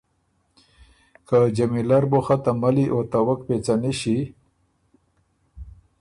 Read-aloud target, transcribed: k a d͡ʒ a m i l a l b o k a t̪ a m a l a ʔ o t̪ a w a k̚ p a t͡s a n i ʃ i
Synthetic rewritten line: k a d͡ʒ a m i l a ɾ b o x a t̪ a m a l i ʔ o t̪ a w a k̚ p e t͡s a n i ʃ i